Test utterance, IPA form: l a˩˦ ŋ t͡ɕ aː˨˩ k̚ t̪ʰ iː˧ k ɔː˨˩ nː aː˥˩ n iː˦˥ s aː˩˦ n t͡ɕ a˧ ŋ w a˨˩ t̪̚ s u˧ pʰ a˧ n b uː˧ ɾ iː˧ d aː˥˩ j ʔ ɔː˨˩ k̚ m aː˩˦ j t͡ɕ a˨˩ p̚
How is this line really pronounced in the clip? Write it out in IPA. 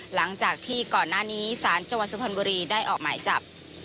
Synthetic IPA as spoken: l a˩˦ ŋ t͡ɕ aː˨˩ k̚ t̪ʰ iː˥˩ k ɔː˨˩ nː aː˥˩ n iː˦˥ s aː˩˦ n t͡ɕ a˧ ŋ w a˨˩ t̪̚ s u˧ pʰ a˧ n b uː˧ ɾ iː˧ d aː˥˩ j ʔ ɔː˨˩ k̚ m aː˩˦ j t͡ɕ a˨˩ p̚